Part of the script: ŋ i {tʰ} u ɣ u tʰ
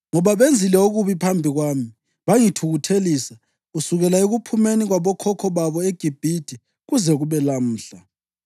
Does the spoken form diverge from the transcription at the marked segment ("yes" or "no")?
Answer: no